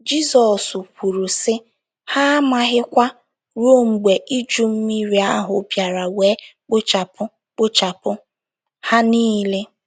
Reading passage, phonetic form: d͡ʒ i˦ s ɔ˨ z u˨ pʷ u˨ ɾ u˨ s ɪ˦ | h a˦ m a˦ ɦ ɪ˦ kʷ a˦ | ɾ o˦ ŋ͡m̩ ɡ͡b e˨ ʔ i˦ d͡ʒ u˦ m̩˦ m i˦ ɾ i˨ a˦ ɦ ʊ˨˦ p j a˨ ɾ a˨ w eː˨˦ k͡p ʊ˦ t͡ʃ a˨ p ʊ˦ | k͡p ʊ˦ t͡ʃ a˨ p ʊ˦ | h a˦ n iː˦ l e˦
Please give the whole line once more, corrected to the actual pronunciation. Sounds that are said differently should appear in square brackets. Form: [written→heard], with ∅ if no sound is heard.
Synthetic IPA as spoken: d͡ʒ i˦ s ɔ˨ [z→s] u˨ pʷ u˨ ɾ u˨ s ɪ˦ | h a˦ m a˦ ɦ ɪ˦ kʷ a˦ | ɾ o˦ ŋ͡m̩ ɡ͡b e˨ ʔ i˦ d͡ʒ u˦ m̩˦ m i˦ ɾ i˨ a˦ ɦ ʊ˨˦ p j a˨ ɾ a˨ w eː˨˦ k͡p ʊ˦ t͡ʃ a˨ p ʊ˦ | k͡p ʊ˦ t͡ʃ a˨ p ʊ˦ | h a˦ n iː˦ l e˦

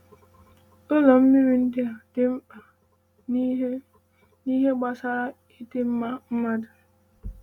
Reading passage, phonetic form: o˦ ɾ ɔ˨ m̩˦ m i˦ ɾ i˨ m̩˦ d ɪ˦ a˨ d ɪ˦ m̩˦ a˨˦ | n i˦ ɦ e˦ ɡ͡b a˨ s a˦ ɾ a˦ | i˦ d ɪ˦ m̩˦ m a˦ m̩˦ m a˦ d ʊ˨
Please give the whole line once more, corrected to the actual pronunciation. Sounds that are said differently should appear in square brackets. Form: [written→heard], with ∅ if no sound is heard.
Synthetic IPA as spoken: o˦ [ɾ→l] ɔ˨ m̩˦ m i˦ ɾ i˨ [m̩˦→n̩˦] d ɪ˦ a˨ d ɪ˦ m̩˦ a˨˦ | n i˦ ɦ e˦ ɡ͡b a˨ s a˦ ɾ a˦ | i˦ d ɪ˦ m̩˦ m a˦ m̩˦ m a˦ d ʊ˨

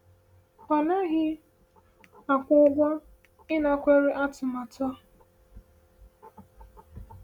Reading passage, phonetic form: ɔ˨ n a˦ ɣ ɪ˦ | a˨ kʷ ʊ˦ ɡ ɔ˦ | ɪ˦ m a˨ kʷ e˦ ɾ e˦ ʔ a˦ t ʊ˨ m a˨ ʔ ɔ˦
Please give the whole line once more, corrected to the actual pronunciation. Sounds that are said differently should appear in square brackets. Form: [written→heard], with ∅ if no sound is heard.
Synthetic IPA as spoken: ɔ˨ n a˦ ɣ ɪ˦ | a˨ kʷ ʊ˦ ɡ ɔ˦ | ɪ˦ [m→n] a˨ kʷ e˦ ɾ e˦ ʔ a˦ t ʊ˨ m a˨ [ʔ→t] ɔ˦

